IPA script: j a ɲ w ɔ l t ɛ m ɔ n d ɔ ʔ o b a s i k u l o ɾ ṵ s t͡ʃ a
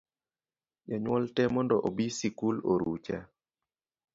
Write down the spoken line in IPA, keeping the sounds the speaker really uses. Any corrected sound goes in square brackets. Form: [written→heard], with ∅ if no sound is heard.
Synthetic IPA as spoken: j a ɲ w ɔ l t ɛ m ɔ n d ɔ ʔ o b [a→i] s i k u l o ɾ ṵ [s→∅] t͡ʃ a